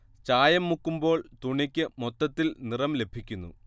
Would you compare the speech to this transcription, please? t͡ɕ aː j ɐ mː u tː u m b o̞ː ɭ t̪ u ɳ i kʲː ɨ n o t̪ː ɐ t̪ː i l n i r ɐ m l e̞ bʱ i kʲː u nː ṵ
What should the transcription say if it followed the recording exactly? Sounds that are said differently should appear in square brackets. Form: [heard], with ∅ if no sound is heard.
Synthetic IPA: t͡ɕ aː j ɐ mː u [kː] u m b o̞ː ɭ t̪ u ɳ i kʲː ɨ [m] o t̪ː ɐ t̪ː i l n i r ɐ m l e̞ bʱ i kʲː u nː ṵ